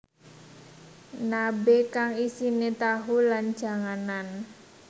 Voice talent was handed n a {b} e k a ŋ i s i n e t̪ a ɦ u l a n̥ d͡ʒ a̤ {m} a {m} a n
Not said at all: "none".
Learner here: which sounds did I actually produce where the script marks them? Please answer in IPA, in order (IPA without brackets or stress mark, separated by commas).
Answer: b, ŋ, n